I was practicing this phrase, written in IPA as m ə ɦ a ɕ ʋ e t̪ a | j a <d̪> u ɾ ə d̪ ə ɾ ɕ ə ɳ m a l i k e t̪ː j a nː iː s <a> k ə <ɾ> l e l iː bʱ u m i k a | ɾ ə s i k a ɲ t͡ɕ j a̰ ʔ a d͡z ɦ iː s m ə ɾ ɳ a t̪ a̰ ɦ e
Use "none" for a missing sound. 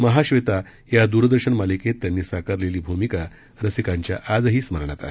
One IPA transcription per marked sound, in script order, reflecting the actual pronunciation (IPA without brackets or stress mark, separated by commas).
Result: d̪, a, ɾ